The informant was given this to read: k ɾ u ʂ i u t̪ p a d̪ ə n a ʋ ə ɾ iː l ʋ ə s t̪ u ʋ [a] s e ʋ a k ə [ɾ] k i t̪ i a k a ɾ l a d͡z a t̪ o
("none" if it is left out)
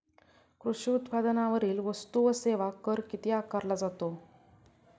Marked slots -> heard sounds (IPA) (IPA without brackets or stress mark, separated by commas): ə, ɾ